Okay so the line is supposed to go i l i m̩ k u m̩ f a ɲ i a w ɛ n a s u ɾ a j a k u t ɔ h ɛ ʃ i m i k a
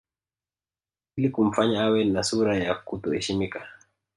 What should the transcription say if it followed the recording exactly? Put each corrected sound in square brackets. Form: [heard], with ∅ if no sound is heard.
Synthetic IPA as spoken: i l i [∅] k u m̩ f a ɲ [a] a w ɛ n a s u ɾ a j a k u t ɔ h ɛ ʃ i m i k a